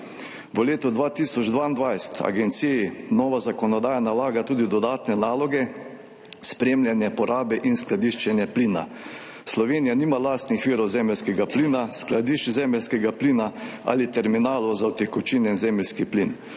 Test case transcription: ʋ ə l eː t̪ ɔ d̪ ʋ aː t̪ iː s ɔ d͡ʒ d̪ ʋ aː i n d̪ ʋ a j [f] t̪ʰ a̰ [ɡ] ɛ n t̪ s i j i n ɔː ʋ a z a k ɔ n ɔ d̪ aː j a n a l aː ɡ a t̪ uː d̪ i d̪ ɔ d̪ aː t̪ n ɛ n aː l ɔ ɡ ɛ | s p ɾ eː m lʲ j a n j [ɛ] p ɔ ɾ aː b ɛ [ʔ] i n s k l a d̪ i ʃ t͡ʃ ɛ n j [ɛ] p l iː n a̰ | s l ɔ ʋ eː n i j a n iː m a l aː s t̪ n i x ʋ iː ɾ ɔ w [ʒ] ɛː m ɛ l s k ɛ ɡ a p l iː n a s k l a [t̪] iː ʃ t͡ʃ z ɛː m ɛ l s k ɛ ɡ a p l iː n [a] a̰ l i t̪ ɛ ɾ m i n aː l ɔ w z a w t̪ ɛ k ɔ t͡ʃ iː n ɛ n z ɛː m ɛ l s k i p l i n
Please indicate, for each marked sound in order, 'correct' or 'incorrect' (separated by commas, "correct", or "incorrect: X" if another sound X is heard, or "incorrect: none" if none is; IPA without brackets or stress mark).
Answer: incorrect: s, correct, correct, correct, correct, incorrect: z, incorrect: d̪, correct